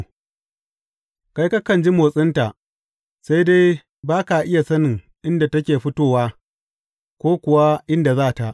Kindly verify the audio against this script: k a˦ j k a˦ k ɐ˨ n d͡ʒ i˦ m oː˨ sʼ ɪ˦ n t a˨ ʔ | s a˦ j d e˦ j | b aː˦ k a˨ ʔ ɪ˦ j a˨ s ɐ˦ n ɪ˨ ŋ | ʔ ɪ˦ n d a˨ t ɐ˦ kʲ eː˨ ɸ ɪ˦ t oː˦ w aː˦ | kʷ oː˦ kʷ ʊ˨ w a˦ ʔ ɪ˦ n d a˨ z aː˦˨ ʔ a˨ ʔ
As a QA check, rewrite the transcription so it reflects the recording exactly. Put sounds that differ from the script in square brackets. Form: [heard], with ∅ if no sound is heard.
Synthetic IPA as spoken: k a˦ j k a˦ k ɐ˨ n d͡ʒ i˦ m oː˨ sʼ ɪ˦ n t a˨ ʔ | s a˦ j d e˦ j | b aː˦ k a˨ ʔ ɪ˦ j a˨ s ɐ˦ n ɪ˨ ŋ | ʔ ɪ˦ n d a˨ t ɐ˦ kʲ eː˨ ɸ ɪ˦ t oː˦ w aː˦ | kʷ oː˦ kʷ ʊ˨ w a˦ ʔ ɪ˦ n d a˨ z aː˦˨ [t] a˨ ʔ